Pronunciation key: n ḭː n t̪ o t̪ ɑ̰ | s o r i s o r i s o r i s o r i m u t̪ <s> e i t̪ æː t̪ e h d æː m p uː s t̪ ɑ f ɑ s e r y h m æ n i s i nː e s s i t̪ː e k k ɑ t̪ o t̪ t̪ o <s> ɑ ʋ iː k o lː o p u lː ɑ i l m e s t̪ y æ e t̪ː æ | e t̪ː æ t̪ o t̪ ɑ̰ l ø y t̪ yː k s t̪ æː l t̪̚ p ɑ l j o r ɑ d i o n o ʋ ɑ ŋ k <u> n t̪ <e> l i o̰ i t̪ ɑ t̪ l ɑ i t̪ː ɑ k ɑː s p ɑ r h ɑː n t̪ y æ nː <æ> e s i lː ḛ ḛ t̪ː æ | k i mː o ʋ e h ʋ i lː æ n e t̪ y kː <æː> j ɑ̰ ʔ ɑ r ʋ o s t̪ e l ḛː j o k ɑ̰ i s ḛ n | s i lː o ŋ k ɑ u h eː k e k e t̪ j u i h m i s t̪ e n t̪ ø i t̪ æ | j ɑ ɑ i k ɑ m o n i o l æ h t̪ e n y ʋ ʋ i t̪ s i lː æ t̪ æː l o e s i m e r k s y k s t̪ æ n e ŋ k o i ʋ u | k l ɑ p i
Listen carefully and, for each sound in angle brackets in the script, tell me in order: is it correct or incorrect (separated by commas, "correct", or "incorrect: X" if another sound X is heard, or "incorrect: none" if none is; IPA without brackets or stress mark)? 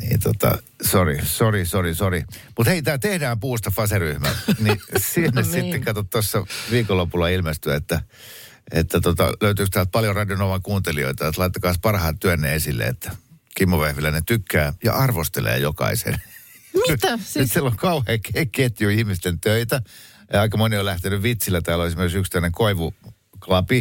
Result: incorrect: h, incorrect: sː, incorrect: uː, correct, incorrect: e, correct